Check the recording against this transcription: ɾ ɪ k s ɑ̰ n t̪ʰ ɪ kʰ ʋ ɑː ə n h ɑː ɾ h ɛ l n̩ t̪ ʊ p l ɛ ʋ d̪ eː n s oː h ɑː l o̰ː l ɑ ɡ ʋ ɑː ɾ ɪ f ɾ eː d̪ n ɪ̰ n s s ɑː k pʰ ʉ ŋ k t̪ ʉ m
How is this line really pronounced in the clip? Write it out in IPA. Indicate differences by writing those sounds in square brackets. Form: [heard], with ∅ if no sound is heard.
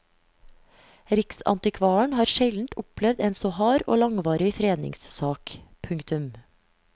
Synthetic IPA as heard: ɾ ɪ k s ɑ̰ n [t̪] ɪ kʰ ʋ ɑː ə [ɳ] h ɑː ɾ [ʃ] ɛ l n̩ t̪ ʊ p l ɛ ʋ d̪ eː n s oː h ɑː [ɾ] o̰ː l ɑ [ŋ] ʋ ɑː ɾ ɪ f ɾ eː d̪ n ɪ̰ [ŋ] s s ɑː k pʰ ʉ ŋ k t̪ ʉ m

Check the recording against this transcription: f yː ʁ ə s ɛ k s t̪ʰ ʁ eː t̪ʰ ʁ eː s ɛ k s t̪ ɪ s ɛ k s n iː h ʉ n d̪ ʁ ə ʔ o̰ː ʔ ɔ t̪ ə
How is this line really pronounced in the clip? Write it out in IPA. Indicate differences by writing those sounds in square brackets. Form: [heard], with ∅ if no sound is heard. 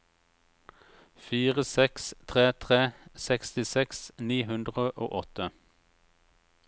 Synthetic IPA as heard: f [iː] ʁ ə s ɛ k s t̪ʰ ʁ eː t̪ʰ ʁ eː s ɛ k s t̪ ɪ s ɛ k s n iː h ʉ n d̪ ʁ ə ʔ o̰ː ʔ ɔ t̪ ə

